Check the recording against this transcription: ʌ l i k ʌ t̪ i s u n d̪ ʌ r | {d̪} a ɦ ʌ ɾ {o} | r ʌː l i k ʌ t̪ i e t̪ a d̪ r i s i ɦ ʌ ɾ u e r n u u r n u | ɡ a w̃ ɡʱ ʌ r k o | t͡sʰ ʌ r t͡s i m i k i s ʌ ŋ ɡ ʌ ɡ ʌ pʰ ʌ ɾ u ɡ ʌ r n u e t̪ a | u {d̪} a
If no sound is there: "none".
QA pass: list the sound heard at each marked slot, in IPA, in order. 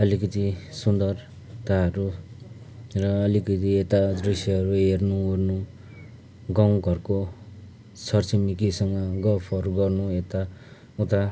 t̪, u, t̪

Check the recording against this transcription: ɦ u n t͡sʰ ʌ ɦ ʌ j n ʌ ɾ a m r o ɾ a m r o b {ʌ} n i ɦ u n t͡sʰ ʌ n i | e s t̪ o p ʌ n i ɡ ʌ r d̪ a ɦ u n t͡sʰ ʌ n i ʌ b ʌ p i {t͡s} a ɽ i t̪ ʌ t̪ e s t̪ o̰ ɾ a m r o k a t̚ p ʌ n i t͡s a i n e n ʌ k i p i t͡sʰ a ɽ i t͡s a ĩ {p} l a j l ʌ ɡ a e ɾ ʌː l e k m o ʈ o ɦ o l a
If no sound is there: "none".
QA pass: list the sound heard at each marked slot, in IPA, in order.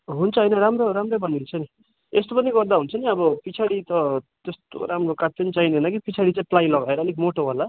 ʌ, t͡sʰ, p

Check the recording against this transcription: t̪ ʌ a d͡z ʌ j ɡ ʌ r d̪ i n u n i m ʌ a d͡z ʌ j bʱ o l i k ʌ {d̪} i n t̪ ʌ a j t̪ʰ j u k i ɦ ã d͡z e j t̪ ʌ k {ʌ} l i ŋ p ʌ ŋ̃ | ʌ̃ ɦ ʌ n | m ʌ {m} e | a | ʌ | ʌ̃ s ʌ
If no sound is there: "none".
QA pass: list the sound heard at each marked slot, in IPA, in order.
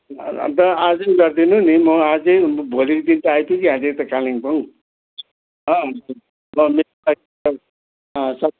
d̪, a, m

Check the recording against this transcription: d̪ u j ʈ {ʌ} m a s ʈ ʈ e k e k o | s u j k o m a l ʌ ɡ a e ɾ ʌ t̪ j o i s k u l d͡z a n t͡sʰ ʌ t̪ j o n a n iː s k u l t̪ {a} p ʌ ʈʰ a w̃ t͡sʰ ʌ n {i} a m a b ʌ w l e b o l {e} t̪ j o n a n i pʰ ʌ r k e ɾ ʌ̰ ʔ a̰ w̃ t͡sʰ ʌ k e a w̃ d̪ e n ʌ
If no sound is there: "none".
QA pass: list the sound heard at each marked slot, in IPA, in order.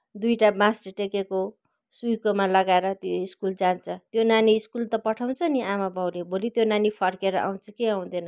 a, ʌ, i, i

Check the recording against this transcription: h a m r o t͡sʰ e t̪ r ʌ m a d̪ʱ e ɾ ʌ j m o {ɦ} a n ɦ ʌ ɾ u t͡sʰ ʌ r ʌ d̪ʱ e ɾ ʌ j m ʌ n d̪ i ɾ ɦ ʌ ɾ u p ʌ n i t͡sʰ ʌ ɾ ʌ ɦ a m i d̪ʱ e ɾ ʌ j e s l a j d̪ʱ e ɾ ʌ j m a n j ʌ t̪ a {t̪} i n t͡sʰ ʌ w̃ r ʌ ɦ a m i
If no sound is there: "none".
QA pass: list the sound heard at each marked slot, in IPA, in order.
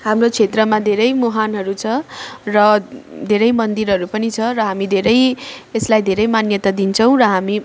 ɦ, d̪

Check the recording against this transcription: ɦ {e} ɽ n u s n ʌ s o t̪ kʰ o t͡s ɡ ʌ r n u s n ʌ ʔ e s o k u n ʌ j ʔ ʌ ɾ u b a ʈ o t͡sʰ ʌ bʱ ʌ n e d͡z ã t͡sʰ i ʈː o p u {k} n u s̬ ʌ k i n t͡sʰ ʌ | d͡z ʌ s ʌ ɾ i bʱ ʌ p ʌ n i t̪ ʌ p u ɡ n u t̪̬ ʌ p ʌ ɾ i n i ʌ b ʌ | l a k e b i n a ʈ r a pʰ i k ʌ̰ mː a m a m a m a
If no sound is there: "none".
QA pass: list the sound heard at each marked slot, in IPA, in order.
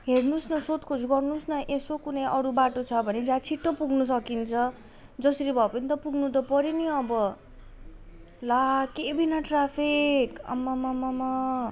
e, ɡ

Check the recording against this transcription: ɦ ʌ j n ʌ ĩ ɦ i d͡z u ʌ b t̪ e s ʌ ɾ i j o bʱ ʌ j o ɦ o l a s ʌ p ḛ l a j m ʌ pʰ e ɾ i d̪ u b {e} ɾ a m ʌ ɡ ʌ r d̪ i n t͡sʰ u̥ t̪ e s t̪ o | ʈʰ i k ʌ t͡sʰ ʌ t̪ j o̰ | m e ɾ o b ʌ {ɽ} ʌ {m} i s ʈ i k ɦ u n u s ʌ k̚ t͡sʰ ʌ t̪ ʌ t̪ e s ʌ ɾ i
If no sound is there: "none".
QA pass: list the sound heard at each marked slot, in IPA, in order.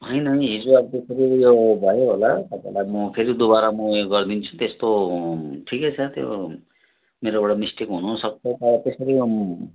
a, ɽ, m

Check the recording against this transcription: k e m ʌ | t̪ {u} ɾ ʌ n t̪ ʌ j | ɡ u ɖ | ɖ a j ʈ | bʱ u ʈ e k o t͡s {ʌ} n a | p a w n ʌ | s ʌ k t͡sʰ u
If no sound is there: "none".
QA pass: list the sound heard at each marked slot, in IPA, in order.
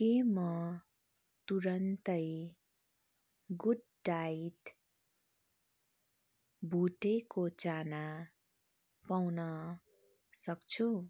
u, a

